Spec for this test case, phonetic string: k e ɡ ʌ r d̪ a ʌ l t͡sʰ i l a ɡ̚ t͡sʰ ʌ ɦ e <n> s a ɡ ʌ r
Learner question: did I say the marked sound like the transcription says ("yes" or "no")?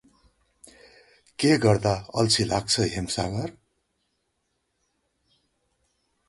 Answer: no